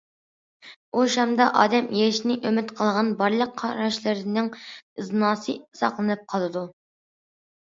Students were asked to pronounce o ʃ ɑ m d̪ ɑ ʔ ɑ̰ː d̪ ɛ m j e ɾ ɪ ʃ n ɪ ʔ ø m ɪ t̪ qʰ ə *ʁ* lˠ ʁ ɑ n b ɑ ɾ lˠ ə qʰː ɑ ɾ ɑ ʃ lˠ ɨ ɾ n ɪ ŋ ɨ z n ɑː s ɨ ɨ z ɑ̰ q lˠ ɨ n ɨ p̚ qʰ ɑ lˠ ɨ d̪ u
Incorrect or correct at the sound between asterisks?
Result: incorrect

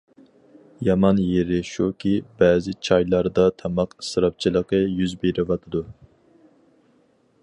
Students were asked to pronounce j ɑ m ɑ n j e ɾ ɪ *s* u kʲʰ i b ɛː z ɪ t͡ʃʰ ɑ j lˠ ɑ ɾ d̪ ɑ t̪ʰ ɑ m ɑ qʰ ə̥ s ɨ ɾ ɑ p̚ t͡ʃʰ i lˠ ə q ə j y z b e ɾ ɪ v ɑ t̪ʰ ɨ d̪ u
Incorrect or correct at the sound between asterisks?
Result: incorrect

